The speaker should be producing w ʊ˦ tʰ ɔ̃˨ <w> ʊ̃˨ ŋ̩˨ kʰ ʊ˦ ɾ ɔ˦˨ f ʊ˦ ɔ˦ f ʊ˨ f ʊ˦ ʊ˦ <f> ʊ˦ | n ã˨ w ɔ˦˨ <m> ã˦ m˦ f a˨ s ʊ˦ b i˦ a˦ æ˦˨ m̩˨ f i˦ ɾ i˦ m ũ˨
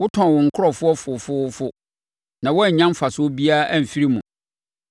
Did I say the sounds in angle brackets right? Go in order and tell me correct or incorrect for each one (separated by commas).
correct, correct, incorrect